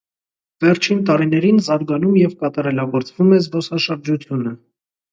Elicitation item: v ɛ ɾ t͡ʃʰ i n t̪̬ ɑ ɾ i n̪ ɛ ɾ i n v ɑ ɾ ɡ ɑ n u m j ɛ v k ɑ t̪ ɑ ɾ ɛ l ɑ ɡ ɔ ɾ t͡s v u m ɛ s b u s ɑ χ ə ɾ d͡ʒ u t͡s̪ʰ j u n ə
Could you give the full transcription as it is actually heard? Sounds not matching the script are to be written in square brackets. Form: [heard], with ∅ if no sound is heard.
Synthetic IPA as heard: v ɛ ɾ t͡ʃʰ i n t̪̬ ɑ ɾ i n̪ ɛ ɾ i n [z] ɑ ɾ ɡ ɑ n u m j ɛ v k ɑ t̪ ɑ ɾ ɛ l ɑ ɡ ɔ ɾ t͡s v u m ɛ [z] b [ɔ] s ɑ [ʃ] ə ɾ d͡ʒ u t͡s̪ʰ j u n ə